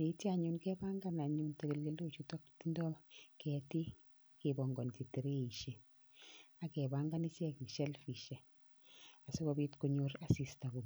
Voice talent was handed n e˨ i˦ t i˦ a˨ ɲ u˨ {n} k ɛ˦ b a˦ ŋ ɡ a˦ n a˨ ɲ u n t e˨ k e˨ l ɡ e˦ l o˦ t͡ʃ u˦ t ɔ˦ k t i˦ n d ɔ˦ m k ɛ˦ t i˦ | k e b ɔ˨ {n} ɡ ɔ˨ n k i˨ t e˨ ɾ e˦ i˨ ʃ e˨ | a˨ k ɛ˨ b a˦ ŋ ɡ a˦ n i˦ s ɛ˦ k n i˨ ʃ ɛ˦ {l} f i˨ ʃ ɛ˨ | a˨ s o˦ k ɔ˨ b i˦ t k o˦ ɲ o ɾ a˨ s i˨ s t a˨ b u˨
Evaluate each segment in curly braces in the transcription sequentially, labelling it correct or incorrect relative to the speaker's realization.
correct, incorrect, correct

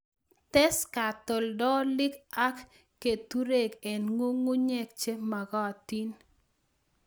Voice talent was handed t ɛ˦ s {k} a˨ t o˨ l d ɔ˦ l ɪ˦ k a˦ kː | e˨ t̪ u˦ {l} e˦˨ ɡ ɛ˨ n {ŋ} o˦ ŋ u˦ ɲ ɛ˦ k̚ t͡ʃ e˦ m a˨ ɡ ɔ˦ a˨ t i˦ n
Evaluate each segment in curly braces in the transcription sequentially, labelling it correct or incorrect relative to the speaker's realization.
correct, incorrect, correct

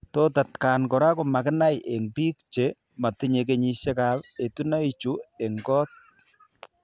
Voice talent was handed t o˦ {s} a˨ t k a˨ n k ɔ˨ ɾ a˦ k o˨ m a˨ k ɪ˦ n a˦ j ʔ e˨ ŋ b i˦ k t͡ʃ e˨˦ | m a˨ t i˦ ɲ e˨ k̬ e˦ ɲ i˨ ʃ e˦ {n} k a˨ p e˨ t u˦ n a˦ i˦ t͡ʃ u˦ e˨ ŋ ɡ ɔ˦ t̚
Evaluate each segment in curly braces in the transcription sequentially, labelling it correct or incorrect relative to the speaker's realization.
incorrect, incorrect

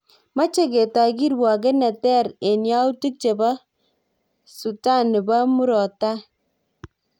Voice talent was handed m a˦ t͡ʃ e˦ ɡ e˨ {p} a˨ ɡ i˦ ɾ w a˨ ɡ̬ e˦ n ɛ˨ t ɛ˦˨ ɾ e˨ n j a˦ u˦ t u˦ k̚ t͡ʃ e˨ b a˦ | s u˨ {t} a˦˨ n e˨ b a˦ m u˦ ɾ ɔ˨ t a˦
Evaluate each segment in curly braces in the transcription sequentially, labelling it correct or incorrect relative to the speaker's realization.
incorrect, correct

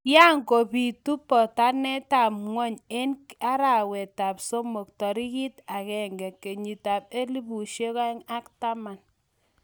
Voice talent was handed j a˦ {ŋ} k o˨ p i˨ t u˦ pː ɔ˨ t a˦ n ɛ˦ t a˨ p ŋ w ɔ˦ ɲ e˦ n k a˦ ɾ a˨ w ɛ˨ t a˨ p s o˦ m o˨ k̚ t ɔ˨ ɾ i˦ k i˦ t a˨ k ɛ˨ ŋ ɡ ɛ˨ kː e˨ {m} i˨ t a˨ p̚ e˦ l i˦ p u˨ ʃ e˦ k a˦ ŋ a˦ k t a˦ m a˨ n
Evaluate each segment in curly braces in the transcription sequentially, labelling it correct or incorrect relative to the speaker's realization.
correct, incorrect

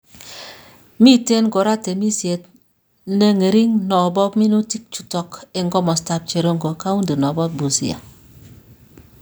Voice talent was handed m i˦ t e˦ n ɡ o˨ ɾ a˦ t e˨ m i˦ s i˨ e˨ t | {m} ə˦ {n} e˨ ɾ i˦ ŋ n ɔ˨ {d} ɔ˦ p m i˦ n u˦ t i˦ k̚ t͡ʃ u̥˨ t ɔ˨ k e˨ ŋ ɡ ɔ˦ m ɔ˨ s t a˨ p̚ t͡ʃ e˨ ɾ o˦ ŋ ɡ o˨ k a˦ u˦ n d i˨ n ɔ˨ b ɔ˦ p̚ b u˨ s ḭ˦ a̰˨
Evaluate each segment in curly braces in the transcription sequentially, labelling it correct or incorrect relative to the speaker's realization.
incorrect, incorrect, incorrect

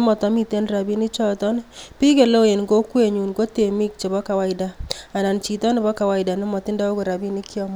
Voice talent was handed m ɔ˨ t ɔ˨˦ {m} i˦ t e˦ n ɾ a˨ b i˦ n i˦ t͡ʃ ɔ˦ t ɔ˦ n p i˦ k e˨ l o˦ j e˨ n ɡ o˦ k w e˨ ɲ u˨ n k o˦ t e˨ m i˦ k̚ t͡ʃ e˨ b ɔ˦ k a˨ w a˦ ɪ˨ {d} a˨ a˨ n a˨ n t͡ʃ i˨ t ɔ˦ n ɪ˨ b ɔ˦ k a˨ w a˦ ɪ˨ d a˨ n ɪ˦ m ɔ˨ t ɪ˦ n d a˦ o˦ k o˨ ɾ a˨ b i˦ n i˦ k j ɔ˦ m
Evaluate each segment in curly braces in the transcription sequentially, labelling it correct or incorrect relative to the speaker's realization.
correct, correct

